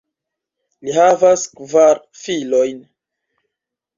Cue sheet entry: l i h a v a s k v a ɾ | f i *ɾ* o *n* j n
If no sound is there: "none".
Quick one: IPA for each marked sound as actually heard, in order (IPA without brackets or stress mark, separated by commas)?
l, none